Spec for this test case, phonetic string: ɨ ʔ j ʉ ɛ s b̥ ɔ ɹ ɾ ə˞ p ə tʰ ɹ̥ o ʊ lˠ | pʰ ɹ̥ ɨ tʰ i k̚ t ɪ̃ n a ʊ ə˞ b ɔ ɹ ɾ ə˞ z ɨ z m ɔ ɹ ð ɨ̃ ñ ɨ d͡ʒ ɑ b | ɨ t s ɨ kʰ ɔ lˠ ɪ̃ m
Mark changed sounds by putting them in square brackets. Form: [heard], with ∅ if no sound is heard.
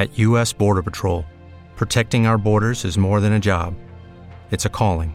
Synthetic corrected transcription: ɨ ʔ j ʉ ɛ s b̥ ɔ ɹ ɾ ə˞ p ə tʰ ɹ̥ o ʊ lˠ | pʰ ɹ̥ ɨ tʰ [ɛ] k̚ t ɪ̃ [ŋ] a ʊ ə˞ b ɔ ɹ ɾ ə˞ z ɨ z m ɔ ɹ ð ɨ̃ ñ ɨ d͡ʒ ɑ b | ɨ t s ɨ kʰ ɔ lˠ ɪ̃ [ŋ]